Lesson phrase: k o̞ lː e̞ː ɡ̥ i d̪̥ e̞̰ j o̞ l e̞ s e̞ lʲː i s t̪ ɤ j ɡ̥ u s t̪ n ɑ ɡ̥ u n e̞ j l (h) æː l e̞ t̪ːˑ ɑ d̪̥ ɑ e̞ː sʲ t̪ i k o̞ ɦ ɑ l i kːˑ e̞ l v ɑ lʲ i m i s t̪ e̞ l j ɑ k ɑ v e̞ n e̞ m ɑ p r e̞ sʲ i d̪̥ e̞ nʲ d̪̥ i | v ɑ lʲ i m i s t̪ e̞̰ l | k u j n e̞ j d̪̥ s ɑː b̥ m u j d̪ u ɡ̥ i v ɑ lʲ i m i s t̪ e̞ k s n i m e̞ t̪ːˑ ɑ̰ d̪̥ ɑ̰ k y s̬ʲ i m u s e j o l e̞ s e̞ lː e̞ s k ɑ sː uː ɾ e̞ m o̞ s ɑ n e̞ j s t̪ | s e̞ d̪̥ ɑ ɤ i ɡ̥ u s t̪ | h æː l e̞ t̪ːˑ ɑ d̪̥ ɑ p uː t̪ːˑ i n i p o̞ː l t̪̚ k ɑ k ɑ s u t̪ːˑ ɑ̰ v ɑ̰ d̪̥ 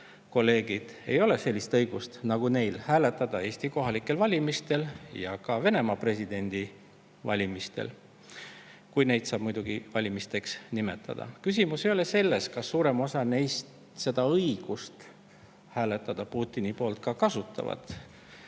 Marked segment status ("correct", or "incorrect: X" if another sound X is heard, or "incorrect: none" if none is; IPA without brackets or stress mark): correct